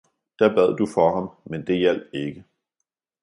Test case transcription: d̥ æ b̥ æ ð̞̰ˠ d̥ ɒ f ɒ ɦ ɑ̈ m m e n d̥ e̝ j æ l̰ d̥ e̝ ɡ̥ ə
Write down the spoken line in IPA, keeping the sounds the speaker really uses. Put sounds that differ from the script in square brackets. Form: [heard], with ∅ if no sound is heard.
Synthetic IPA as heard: d̥ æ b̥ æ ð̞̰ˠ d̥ [u] f ɒ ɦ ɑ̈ m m e n d̥ e̝ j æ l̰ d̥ e̝ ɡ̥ ə